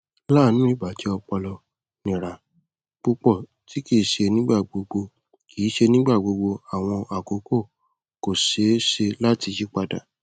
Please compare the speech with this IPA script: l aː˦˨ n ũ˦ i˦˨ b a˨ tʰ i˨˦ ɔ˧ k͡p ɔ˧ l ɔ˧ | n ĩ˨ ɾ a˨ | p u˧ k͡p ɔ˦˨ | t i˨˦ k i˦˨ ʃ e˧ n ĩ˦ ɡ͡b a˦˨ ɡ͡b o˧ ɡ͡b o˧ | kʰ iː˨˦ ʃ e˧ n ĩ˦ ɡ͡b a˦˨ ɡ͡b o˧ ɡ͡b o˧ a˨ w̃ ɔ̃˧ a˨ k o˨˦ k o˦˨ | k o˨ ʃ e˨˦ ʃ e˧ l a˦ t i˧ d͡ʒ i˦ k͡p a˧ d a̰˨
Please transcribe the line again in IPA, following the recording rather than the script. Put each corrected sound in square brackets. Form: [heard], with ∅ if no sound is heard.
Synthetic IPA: l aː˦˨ n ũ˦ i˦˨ b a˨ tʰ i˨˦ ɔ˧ k͡p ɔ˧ l ɔ˧ | n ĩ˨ ɾ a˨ | [k͡p] u˧ k͡p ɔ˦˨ | t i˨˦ k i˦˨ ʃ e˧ n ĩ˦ ɡ͡b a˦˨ ɡ͡b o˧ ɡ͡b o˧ | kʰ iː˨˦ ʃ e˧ n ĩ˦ ɡ͡b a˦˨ ɡ͡b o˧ ɡ͡b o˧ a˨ w̃ ɔ̃˧ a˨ k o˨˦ k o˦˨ | k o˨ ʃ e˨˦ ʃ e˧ l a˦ t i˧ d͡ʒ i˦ k͡p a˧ d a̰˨